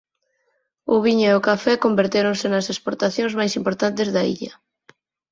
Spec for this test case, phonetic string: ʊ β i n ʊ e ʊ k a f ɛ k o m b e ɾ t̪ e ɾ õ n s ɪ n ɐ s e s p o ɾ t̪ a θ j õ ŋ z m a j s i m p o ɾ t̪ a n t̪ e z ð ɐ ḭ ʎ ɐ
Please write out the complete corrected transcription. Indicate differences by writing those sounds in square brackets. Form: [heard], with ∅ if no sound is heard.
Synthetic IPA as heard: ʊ β i [ɲ] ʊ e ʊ k a f ɛ k o m b e ɾ t̪ e ɾ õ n s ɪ n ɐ s e s p o ɾ t̪ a θ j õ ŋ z m a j s i m p o ɾ t̪ a n t̪ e z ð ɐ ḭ ʎ ɐ